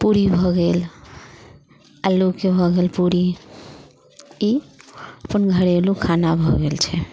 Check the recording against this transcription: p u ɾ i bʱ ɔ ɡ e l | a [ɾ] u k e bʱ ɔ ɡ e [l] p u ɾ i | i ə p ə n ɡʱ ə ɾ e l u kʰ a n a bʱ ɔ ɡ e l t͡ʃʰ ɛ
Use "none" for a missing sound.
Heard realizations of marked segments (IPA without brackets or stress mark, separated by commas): l, l